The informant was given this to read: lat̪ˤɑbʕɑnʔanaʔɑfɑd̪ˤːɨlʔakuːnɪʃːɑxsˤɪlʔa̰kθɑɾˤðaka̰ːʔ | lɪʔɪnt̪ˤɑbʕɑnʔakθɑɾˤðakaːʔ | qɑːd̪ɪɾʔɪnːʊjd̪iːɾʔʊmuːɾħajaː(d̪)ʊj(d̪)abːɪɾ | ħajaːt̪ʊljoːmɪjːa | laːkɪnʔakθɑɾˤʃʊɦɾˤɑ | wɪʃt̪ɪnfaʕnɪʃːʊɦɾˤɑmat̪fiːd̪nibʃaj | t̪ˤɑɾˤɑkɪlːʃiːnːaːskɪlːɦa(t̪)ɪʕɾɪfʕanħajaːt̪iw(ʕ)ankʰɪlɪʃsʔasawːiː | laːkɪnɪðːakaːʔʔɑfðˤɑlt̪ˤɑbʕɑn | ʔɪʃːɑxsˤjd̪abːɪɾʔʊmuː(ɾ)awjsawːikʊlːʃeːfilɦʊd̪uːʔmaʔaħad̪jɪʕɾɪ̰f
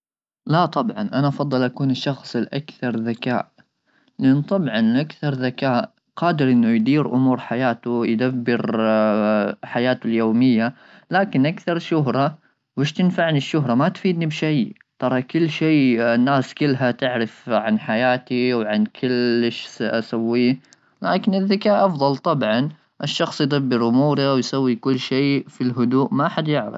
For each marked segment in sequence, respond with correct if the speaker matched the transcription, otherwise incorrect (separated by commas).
incorrect, correct, correct, correct, correct